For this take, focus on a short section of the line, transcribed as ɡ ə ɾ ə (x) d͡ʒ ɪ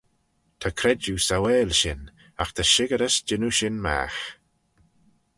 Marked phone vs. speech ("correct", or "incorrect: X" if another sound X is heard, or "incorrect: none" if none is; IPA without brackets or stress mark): incorrect: s